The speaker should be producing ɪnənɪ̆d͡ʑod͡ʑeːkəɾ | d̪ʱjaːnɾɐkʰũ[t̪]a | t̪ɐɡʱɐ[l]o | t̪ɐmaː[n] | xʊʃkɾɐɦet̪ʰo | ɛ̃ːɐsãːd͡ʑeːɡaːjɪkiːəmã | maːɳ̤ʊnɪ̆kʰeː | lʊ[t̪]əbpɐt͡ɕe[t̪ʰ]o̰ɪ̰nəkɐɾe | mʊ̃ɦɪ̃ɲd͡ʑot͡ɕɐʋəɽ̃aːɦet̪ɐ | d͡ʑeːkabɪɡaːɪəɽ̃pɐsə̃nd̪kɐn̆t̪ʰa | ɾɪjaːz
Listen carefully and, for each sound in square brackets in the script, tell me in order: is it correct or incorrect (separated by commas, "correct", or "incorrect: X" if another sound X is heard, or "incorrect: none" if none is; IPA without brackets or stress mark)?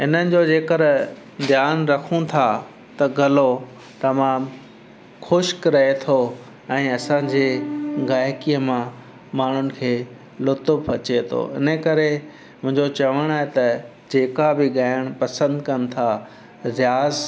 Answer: incorrect: t̪ʰ, correct, incorrect: m, correct, correct